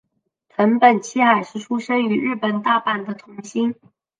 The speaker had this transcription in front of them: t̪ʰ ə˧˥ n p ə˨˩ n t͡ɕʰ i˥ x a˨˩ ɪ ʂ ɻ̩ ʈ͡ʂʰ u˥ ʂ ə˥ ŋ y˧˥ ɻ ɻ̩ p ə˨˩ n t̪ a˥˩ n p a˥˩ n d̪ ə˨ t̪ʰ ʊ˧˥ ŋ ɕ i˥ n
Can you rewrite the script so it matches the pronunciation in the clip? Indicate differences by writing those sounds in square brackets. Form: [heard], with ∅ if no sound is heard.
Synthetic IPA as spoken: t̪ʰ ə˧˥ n p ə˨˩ n t͡ɕʰ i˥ x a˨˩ ɪ ʂ ɻ̩ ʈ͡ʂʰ u˥ ʂ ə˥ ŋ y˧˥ ɻ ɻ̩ p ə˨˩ n t̪ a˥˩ [∅] p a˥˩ n d̪ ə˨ t̪ʰ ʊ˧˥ ŋ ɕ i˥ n